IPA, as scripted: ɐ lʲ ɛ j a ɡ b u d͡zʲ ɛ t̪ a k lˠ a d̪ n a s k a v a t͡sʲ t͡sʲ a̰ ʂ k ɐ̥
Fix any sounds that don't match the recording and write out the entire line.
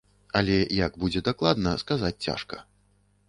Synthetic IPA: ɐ lʲ ɛ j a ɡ b u d͡zʲ ɛ d̪ a k lˠ a d̪ n ɐ s k a z a t͡sʲ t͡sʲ a̰ ʂ k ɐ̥